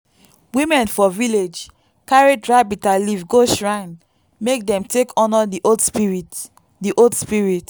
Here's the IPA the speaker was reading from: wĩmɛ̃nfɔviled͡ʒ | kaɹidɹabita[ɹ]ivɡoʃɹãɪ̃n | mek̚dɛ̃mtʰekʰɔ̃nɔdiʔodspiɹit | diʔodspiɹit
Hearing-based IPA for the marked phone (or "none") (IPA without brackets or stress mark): l